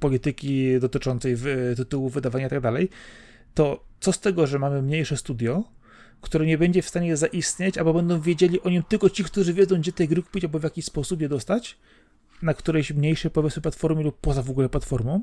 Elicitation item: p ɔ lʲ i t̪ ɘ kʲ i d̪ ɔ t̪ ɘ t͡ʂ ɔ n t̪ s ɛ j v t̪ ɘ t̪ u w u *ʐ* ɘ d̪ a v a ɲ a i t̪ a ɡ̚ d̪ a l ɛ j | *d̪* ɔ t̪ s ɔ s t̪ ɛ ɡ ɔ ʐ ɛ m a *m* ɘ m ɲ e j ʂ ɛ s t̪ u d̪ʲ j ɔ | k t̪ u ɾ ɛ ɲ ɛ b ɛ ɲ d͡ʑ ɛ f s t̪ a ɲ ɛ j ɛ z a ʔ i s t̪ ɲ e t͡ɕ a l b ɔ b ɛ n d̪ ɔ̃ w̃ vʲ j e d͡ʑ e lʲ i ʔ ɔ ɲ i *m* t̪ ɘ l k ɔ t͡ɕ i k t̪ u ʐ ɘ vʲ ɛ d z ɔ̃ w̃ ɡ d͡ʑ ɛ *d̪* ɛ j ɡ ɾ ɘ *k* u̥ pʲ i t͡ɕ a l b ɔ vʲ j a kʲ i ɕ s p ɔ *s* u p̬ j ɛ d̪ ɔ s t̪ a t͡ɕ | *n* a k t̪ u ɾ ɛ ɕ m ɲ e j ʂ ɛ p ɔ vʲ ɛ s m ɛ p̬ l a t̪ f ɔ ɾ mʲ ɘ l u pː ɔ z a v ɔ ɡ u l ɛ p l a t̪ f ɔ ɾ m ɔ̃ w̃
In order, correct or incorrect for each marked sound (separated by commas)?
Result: incorrect, incorrect, correct, correct, incorrect, correct, correct, correct